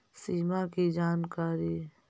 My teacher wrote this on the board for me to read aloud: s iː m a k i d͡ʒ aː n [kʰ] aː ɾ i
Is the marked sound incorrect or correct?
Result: incorrect